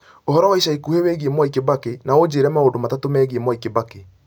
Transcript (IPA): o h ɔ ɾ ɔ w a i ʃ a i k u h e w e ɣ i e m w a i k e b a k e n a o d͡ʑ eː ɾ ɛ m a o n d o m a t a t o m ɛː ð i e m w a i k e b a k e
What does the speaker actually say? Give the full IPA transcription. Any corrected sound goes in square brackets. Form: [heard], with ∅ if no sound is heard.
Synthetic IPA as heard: o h ɔ ɾ ɔ w a i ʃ a i k u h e w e ɣ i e m w a i k e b a k e n a o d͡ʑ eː ɾ ɛ m a o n d o m a t a t o m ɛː [ɣ] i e m w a i k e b a k e